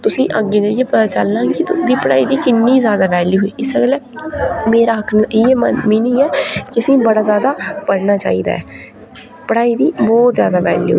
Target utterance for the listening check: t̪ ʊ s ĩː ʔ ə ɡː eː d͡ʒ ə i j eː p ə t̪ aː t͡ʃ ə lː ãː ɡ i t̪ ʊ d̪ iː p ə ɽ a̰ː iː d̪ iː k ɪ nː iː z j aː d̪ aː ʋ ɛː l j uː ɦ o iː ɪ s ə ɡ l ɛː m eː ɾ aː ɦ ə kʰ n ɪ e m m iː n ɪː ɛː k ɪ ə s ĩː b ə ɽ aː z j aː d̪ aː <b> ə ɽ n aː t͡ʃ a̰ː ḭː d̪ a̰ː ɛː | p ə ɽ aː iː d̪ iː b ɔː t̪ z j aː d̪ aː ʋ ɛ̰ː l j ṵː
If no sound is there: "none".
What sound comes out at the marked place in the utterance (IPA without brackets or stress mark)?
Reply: p